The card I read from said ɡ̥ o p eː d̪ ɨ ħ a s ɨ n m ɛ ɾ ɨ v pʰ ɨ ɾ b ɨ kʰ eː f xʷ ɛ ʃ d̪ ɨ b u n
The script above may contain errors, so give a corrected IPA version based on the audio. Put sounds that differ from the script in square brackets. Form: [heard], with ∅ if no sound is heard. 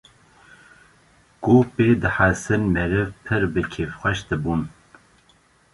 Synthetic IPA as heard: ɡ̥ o p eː d̪ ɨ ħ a s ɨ n m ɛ ɾ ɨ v pʰ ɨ ɾ b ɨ kʰ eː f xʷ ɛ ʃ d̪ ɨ b u n